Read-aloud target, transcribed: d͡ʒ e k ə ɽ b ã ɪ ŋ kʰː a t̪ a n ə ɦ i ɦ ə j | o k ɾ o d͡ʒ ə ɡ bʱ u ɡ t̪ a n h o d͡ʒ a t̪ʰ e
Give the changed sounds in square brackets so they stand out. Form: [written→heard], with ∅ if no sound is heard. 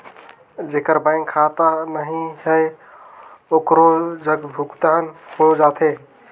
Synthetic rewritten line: d͡ʒ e k ə [ɽ→ɾ] b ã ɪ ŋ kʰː a t̪ a n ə ɦ i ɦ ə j | o k ɾ o d͡ʒ ə ɡ bʱ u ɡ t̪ a n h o d͡ʒ a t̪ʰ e